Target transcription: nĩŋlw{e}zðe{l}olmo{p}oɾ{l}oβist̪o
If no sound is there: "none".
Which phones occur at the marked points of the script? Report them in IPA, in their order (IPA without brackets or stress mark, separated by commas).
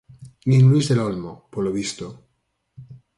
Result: i, l, p, l